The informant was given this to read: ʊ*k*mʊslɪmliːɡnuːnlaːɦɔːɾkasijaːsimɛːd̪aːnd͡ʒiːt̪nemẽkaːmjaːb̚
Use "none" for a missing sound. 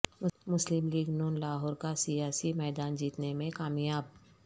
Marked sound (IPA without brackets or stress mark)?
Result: none